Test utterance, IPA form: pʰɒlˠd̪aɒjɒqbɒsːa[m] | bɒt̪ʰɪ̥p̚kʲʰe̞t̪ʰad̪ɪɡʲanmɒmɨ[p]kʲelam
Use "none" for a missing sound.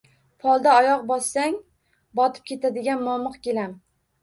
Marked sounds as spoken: ŋ, q

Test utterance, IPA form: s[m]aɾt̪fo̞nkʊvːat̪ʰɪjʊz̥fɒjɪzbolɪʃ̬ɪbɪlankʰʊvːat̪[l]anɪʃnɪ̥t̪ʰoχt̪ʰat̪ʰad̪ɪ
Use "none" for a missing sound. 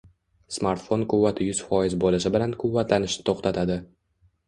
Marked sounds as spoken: m, l

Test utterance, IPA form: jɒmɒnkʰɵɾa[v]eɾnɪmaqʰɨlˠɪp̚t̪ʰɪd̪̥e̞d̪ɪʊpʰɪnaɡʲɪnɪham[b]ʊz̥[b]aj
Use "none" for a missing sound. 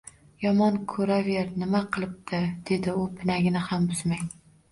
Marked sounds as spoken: v, b, m

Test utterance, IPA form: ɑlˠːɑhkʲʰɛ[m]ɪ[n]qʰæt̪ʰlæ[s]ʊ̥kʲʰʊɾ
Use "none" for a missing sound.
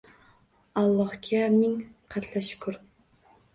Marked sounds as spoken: m, ŋ, ʃ

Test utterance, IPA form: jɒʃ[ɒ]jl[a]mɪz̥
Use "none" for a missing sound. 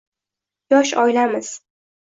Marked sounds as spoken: ɒ, a

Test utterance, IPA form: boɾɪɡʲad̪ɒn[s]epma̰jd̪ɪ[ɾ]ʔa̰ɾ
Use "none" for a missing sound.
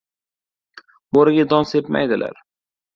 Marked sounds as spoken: s, l

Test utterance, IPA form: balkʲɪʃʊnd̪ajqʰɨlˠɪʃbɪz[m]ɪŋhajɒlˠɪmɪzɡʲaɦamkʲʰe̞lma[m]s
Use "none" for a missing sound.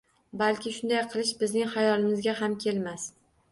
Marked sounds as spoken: n, none

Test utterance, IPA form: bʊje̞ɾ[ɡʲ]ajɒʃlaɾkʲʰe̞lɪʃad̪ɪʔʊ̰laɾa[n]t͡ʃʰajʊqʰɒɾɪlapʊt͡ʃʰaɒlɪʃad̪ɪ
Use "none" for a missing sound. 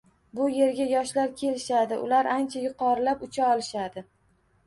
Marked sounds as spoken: ɡʲ, n

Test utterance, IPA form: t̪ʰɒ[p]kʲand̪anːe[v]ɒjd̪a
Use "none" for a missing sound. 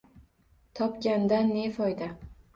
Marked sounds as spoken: p, f

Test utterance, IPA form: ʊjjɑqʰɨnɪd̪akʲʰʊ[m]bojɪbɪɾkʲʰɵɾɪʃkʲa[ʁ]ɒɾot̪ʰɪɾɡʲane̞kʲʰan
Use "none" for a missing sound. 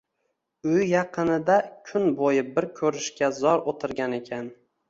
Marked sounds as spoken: n, z

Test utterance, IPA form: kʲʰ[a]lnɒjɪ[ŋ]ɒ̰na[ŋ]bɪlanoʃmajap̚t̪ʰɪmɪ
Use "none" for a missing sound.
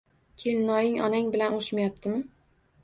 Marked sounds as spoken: e, ŋ, ŋ

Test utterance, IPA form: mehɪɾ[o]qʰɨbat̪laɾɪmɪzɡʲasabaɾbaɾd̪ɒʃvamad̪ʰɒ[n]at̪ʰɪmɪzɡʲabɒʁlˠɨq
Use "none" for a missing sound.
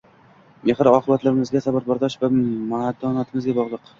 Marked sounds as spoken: ɒ, n

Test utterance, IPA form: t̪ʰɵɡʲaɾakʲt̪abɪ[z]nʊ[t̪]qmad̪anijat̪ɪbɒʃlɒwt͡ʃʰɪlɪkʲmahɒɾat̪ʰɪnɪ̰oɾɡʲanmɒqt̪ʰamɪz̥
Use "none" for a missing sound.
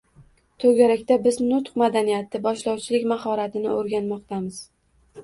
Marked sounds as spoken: z, t̪

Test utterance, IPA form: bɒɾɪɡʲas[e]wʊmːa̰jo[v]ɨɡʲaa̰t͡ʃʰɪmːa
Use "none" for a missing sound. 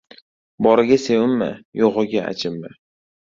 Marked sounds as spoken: e, ʁ

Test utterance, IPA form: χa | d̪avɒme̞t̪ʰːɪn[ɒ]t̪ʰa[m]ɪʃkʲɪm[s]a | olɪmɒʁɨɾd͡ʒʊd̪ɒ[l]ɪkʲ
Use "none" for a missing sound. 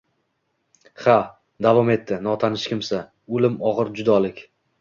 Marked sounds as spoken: ɒ, n, s, l

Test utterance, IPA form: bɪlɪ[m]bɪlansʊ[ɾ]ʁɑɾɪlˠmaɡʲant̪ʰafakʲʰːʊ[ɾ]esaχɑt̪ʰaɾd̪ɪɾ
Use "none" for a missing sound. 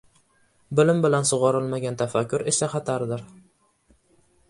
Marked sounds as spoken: m, none, ɾ

